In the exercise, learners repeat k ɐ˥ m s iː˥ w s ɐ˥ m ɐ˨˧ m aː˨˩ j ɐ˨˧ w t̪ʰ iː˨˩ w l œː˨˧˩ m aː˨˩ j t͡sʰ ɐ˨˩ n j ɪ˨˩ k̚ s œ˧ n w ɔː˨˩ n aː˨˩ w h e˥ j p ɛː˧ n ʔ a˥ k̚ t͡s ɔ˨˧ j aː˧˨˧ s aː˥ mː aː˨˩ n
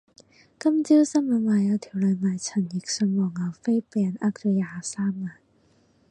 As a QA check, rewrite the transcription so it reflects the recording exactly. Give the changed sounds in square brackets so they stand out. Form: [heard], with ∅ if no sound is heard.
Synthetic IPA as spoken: k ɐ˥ m [t͡s] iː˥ w s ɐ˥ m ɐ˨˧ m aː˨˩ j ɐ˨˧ w t̪ʰ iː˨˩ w l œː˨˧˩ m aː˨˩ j t͡sʰ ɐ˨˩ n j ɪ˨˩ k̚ s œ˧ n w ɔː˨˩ [ŋ] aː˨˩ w [f] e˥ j p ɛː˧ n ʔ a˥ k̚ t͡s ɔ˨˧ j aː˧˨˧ s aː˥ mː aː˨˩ n